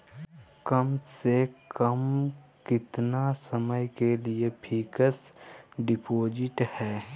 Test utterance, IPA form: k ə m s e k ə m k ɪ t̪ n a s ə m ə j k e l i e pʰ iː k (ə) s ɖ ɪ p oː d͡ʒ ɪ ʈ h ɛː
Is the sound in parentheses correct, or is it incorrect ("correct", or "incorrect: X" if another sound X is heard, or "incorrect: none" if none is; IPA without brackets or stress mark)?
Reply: correct